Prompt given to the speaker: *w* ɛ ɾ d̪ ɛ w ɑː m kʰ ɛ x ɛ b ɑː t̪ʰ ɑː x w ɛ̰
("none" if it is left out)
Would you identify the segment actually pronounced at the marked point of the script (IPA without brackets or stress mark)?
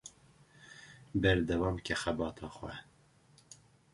b